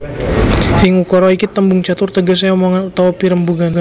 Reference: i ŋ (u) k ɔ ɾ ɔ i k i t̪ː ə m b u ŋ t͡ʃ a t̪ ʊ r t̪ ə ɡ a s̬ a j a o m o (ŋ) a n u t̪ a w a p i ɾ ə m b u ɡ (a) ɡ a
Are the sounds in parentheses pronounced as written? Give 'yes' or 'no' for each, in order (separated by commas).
yes, yes, yes